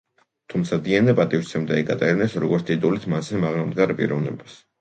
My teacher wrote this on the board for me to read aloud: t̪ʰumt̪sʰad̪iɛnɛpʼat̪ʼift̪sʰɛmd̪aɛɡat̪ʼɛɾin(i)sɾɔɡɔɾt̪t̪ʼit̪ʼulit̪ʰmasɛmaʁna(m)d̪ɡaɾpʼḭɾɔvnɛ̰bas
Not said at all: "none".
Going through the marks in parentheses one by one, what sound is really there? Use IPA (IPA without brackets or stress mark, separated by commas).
ɛ, m